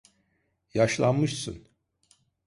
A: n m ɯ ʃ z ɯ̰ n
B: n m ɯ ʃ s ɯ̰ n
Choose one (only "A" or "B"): B